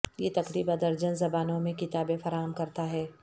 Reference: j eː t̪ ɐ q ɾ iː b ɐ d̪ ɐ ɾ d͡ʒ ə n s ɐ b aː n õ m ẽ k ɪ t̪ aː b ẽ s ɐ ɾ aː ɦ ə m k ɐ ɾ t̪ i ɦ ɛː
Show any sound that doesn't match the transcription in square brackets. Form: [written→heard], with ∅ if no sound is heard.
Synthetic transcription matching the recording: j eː t̪ ɐ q ɾ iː b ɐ d̪ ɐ ɾ d͡ʒ ə n [s→z] ɐ b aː n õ m ẽ k ɪ t̪ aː b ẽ [s→f] ɐ ɾ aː ɦ ə m k ɐ ɾ t̪ [i→a] ɦ ɛː

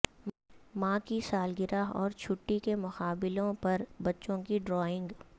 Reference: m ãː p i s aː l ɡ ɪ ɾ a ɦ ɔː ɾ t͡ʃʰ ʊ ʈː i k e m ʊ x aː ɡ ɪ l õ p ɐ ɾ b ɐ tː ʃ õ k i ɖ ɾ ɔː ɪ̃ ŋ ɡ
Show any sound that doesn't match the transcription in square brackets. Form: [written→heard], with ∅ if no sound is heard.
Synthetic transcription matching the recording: m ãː [p→k] i s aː l ɡ ɪ ɾ a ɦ ɔː ɾ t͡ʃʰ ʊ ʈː i k e m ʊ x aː [ɡ→b] ɪ l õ p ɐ ɾ b ɐ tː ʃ õ k i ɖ ɾ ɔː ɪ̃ ŋ ɡ

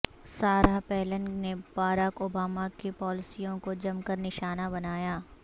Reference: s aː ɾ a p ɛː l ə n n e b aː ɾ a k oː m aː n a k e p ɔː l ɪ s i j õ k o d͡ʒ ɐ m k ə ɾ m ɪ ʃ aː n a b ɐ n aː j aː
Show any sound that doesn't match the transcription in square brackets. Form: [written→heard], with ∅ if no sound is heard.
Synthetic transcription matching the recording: s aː ɾ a p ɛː l ə n n e b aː ɾ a k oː [m→b] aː [n→m] a k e p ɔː l ɪ s i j õ k o d͡ʒ ɐ m k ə ɾ [m→n] ɪ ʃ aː n a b ɐ n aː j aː

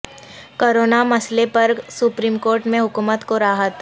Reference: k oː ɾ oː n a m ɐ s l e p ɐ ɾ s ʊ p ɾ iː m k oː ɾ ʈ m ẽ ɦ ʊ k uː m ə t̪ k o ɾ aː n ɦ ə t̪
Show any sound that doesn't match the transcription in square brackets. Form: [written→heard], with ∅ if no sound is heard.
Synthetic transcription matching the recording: k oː ɾ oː n a m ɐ s l e p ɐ ɾ s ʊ p ɾ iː m k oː ɾ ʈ m ẽ ɦ ʊ k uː m ə t̪ k o ɾ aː [n→∅] ɦ ə t̪

